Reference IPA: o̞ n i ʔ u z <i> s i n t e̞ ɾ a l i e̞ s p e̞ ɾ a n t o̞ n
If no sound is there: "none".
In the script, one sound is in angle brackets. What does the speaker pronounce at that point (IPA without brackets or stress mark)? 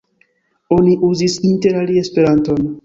i